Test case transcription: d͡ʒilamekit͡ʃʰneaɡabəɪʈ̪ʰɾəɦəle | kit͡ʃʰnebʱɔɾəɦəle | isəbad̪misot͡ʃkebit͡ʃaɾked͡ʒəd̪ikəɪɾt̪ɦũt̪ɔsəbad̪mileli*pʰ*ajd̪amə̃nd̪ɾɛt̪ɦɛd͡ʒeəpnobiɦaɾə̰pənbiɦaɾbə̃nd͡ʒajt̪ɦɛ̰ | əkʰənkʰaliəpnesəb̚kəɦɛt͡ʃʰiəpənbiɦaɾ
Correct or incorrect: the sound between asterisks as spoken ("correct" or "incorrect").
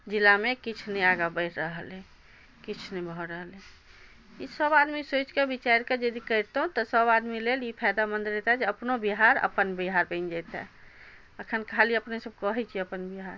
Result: correct